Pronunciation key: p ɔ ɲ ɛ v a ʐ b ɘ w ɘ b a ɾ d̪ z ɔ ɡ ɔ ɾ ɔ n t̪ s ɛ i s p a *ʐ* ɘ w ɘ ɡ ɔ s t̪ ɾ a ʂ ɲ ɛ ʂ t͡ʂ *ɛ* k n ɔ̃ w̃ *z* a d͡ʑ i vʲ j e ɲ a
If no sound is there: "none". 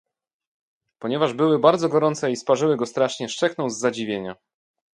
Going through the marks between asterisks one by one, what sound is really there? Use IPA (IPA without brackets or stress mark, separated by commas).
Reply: ʐ, ɛ, zː